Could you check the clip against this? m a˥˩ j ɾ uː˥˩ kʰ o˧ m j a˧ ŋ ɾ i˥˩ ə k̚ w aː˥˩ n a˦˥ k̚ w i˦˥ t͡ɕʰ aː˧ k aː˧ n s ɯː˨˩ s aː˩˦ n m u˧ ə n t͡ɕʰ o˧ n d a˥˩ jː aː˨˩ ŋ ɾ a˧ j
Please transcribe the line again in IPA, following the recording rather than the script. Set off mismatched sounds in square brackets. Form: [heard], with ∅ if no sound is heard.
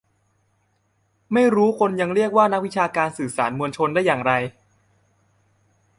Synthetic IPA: m a˥˩ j ɾ [uː˦˥] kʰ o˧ [n] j a˧ ŋ ɾ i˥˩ ə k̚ w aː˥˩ n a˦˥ k̚ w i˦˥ t͡ɕʰ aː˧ k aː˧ n s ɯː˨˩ s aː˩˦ n m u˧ ə n t͡ɕʰ o˧ n d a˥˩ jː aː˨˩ ŋ ɾ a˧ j

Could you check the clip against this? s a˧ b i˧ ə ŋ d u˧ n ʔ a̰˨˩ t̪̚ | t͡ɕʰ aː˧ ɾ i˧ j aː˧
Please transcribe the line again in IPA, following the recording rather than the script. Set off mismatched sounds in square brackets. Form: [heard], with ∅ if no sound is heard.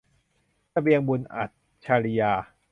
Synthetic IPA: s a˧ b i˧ ə ŋ [b] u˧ n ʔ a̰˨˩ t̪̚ | t͡ɕʰ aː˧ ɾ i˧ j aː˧

